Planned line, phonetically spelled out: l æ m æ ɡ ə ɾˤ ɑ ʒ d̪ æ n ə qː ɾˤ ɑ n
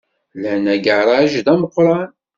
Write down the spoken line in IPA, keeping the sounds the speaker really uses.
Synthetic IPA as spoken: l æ n æ ɡ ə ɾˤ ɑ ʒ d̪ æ m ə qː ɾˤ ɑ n

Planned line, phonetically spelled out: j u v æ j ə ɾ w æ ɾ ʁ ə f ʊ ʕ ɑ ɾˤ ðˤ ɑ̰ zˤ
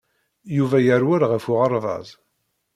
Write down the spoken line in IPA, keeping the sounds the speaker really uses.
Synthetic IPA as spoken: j u v æ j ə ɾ w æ ɾ ʁ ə f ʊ ʁ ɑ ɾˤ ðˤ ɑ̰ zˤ

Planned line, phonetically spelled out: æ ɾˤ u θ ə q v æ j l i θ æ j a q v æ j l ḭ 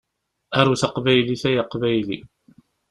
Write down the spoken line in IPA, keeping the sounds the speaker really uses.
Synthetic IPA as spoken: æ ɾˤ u θ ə q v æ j l i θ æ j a q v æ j l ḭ

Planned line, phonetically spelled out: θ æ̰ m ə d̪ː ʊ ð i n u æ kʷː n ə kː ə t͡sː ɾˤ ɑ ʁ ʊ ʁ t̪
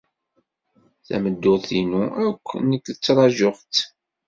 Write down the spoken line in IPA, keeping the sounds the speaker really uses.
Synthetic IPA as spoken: θ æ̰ m ə d̪ː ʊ θ i n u æ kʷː n ə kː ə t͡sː ɾˤ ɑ ʒ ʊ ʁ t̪

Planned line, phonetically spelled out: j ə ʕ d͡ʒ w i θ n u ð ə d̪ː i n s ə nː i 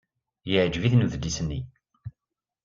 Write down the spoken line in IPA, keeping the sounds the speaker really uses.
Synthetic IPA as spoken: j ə ʕ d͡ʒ v i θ n u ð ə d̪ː i s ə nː i

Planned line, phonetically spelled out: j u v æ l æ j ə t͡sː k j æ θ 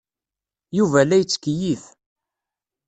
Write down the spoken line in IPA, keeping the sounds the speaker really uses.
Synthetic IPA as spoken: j u v æ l æ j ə t͡sː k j i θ

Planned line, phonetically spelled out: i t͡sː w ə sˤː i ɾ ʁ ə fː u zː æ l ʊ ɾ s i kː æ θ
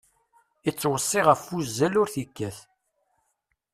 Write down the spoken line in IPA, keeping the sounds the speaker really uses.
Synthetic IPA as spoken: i t͡sː w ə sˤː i ʁ ə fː u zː æ l ʊ ɾ θ i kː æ θ

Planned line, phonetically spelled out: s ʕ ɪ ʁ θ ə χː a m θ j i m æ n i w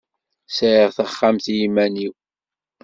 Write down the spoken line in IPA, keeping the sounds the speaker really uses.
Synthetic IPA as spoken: s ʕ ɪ ʁ θ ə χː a m θ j i m æ n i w

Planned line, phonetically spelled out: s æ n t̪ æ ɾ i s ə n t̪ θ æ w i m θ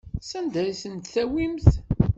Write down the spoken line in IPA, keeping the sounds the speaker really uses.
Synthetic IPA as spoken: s æ n d̪ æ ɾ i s ə n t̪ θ æ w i m θ

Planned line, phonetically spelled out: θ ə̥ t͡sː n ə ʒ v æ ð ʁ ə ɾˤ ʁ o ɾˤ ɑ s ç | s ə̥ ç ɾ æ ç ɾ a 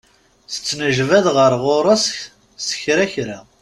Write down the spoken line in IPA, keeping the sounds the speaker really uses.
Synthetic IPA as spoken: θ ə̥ t͡sː n ə ʒ v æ ð ʁ ə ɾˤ ʁ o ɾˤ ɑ s ç | s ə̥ ç ɾ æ ç ɾ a

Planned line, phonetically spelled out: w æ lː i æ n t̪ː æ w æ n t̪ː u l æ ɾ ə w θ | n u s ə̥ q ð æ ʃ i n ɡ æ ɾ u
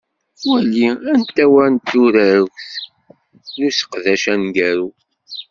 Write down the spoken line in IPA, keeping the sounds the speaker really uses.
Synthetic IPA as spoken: w æ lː i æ n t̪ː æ w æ n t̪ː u ɾ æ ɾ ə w θ | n u s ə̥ q ð æ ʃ æ n ɡ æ ɾ u

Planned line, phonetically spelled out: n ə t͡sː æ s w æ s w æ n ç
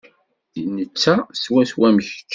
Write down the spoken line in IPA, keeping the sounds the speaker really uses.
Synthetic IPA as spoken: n ə t͡sː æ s w æ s w æ m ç

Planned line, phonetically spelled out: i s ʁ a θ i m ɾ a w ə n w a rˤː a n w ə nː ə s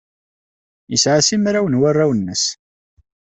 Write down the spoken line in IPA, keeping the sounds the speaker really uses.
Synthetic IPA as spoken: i s ʕ a s i m ɾ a w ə n w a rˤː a w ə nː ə s

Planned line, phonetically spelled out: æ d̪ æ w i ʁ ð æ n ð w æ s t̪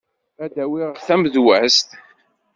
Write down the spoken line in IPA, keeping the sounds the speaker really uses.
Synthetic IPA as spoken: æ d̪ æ w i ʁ θ æ m ð w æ s t̪

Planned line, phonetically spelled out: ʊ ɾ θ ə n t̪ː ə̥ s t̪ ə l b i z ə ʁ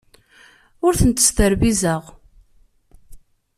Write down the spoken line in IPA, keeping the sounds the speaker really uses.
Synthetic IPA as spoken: ʊ ɾ θ ə n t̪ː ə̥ s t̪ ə ɾ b i z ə ʁ

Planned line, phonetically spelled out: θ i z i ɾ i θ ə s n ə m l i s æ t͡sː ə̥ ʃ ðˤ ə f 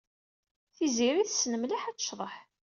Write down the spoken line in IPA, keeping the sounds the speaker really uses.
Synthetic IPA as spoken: θ i z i ɾ i θ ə s n ə m l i ħ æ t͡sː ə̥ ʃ ðˤ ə ħ

